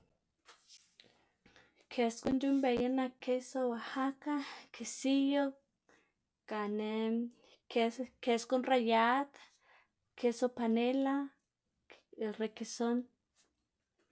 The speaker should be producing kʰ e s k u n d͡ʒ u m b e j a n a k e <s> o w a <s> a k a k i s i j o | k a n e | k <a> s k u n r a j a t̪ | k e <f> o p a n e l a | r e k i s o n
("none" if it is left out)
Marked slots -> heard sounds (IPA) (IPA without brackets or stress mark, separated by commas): s, h, e, s